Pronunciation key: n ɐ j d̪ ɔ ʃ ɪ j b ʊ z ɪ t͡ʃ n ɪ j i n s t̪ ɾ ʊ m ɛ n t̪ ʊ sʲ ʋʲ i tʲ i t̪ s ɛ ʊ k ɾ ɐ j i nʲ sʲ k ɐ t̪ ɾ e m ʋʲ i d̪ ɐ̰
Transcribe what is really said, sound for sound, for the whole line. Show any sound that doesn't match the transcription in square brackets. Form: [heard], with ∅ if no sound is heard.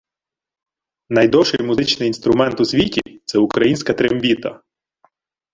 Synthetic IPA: n ɐ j d̪ ɔ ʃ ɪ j [m] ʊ z ɪ t͡ʃ n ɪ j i n s t̪ ɾ ʊ m ɛ n t̪ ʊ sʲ ʋʲ i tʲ i t̪ s ɛ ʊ k ɾ ɐ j i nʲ sʲ k ɐ t̪ ɾ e m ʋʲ i [t̪] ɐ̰